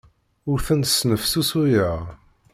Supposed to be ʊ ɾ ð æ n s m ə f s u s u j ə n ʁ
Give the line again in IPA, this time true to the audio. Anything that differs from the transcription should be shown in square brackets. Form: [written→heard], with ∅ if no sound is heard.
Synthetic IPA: ʊ ɾ [ð→θ] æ n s [m→n] ə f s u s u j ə [n→∅] ʁ